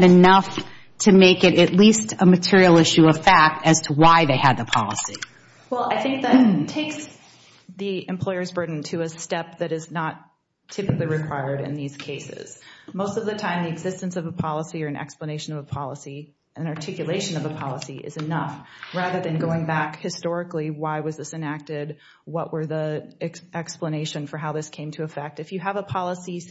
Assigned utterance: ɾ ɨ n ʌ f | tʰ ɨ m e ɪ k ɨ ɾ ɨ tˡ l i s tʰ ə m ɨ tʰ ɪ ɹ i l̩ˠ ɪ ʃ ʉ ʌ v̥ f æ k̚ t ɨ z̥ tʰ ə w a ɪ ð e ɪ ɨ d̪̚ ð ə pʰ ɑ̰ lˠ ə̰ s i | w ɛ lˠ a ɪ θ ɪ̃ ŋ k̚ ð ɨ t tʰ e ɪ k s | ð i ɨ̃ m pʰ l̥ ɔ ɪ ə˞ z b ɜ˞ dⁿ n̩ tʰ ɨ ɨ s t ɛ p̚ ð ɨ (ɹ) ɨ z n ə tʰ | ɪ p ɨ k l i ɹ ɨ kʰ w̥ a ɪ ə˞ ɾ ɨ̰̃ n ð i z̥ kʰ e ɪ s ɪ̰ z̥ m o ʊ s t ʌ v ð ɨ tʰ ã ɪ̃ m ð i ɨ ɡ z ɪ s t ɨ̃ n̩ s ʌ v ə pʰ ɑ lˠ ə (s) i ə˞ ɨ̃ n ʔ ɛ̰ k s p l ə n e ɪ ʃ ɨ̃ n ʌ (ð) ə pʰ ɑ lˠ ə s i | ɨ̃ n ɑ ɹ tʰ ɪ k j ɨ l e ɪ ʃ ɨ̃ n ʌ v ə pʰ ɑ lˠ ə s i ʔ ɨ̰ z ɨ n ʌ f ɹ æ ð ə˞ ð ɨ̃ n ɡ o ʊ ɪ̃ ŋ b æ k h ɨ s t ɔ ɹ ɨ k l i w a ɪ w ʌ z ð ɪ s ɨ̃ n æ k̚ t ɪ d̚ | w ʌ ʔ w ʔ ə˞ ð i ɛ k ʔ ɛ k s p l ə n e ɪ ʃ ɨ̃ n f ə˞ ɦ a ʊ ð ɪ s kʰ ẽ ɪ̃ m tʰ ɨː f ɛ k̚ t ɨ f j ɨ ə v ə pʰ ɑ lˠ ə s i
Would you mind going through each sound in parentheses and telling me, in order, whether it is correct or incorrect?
incorrect: ɾ, correct, incorrect: v

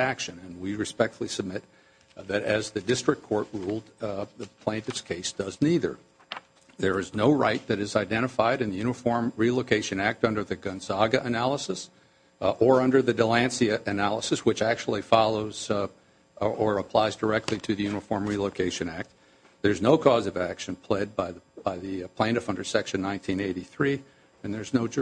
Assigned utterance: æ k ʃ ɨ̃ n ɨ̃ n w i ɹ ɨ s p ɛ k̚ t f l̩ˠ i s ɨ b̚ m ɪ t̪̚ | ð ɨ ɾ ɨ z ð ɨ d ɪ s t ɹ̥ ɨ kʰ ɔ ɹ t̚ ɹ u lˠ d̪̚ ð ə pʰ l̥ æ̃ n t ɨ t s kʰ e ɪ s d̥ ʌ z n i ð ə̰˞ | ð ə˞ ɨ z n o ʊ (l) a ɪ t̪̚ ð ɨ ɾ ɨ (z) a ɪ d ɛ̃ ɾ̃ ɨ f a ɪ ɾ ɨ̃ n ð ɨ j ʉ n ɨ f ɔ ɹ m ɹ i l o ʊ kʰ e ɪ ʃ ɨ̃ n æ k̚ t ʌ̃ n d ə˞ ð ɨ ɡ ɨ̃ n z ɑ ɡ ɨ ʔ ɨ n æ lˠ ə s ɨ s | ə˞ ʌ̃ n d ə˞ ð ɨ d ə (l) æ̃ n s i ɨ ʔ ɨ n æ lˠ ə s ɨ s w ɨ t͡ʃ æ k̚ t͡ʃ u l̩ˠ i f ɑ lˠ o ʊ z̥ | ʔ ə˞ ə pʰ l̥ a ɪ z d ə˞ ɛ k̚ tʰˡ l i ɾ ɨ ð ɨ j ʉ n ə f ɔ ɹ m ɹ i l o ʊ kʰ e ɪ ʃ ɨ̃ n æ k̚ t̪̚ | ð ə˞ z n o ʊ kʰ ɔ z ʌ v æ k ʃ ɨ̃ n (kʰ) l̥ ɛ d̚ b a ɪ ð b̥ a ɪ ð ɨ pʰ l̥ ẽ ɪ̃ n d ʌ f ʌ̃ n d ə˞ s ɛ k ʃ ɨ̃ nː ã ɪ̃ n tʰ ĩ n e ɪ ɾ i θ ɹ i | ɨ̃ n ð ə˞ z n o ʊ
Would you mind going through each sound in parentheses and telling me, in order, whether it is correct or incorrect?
incorrect: ɹ, correct, correct, incorrect: pʰ

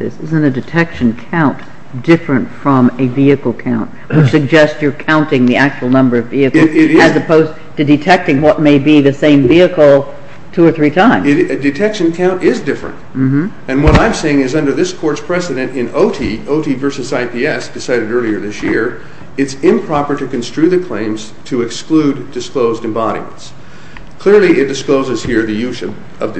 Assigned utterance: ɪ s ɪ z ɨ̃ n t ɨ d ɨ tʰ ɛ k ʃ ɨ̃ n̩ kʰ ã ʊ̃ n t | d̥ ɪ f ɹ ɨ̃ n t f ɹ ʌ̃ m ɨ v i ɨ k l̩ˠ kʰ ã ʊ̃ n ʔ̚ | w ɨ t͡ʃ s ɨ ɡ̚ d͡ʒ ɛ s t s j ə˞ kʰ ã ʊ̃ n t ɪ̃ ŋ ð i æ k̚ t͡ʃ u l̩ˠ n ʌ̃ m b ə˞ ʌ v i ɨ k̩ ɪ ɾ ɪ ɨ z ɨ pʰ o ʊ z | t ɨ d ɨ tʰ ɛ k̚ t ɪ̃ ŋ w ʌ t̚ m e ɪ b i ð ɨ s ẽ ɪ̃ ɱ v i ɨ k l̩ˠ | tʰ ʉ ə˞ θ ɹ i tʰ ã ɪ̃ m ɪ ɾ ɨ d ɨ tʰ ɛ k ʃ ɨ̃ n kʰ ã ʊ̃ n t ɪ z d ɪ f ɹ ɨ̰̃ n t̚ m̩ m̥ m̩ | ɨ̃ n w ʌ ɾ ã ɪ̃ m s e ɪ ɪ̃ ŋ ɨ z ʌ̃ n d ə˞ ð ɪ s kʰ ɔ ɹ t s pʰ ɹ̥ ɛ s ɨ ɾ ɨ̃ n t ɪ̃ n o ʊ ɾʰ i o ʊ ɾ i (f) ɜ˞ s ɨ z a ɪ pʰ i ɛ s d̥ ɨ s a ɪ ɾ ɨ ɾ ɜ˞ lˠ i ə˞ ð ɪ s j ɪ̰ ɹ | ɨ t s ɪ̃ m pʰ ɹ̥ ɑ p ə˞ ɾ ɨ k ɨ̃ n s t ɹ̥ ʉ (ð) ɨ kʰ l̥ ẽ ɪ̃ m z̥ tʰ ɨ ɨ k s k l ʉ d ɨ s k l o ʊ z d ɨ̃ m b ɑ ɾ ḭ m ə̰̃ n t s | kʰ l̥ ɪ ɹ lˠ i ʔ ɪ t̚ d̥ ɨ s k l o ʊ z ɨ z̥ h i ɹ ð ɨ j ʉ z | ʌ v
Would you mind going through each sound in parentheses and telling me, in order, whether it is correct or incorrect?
incorrect: v, correct

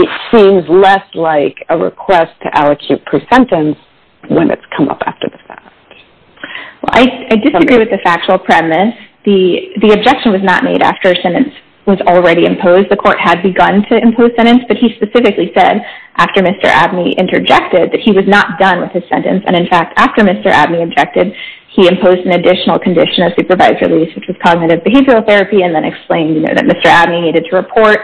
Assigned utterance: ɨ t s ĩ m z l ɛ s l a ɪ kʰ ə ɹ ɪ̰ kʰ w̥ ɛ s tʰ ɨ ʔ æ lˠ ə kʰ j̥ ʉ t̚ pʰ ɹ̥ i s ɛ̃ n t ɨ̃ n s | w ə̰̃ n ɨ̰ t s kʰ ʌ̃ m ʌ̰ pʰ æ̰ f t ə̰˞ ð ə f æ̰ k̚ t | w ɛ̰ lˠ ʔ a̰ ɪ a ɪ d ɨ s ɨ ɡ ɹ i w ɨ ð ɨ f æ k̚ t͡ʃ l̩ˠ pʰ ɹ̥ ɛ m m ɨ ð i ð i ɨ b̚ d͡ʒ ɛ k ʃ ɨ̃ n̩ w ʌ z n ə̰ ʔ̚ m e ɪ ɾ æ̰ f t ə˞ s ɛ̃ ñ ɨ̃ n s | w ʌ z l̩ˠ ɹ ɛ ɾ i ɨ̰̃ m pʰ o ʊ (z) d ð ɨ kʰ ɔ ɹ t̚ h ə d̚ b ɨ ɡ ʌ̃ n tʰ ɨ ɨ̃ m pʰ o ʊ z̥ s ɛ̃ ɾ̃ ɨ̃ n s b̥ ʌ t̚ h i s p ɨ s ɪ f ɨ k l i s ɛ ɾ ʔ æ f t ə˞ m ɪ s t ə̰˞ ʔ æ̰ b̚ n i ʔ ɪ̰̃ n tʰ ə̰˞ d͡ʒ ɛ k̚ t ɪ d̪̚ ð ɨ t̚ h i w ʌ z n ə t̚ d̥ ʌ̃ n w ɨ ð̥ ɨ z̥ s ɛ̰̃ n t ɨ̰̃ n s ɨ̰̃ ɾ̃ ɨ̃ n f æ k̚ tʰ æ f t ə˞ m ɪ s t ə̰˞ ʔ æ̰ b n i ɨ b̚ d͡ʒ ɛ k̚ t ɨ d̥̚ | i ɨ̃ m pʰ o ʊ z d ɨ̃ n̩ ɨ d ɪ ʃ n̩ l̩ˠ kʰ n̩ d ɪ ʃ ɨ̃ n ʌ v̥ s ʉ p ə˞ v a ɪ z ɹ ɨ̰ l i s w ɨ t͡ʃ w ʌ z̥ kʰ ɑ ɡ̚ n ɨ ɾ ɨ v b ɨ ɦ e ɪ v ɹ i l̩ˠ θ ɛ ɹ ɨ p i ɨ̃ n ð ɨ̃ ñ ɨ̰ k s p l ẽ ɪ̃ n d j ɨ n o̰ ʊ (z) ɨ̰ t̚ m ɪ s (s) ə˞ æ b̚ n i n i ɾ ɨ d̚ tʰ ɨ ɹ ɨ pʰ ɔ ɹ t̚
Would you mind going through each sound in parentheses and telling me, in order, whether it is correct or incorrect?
correct, incorrect: ð, incorrect: t

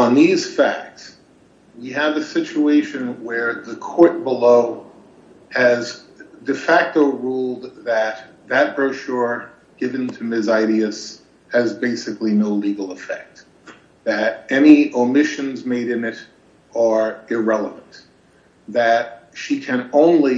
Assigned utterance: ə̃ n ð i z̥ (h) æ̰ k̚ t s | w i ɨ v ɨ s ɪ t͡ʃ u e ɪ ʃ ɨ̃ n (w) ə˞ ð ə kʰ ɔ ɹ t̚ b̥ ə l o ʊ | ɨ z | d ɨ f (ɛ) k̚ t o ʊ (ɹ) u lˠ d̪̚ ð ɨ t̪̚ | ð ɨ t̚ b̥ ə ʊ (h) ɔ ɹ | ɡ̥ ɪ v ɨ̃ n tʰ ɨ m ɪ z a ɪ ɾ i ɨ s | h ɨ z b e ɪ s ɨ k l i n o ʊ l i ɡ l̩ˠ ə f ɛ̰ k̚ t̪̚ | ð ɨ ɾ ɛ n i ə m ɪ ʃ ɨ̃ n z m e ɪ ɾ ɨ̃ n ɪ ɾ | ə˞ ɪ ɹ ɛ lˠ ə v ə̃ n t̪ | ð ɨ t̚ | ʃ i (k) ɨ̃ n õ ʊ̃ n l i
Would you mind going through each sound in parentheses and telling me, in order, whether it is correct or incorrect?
incorrect: f, correct, incorrect: æ, correct, incorrect: ʃ, incorrect: kʰ

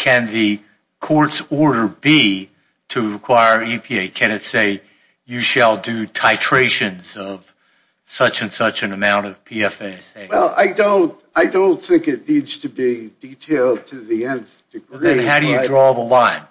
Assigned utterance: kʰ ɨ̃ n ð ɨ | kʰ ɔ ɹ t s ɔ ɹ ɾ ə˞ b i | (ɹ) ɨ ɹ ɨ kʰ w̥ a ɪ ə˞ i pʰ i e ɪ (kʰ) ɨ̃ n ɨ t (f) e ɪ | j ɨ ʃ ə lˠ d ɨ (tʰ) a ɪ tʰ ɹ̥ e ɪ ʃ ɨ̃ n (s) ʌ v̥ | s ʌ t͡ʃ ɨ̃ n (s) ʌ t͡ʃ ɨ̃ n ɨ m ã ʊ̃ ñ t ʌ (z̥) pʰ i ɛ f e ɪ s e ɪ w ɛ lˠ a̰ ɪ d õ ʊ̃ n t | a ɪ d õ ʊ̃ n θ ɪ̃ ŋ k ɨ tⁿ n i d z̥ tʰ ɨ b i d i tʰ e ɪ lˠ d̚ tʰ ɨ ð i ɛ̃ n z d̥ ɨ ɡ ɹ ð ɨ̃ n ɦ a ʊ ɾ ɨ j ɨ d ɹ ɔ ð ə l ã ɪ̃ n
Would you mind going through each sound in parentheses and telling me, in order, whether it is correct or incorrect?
incorrect: ɾ, correct, incorrect: s, correct, incorrect: z, correct, incorrect: v̥

